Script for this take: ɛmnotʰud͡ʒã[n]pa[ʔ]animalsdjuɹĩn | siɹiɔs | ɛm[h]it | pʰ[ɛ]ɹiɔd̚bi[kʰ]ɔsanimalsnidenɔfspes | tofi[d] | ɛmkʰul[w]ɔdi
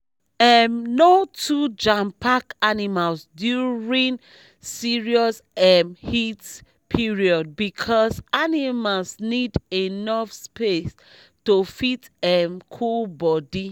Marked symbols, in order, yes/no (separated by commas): no, no, yes, no, yes, no, no